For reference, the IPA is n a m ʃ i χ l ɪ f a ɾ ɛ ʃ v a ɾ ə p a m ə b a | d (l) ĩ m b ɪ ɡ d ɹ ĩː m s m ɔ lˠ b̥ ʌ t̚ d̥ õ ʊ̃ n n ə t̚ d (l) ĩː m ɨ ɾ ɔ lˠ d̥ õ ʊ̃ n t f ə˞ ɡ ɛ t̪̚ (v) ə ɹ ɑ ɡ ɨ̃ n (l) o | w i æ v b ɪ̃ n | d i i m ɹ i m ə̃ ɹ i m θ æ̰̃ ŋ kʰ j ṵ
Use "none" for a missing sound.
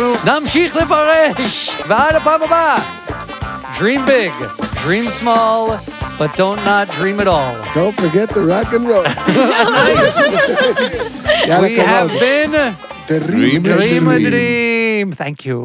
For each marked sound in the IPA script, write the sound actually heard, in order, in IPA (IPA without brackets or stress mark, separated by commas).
ɹ, ɹ, ð, ɹ